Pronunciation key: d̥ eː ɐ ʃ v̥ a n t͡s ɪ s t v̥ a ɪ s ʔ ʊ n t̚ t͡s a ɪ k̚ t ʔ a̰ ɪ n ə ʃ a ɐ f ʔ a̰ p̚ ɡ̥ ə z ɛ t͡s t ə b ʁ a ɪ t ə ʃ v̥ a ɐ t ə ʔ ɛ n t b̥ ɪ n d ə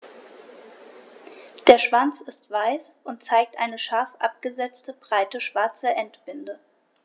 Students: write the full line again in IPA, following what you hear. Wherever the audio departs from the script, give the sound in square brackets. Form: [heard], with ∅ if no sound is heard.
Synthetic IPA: d̥ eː ɐ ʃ v̥ a n t͡s ɪ s t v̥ a ɪ s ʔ ʊ n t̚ t͡s a ɪ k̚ t ʔ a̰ ɪ n ə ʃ a ɐ f ʔ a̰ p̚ ɡ̥ ə z ɛ t͡s t ə b ʁ a ɪ t ə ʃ v̥ a ɐ [t͡s] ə ʔ ɛ n t b̥ ɪ n d ə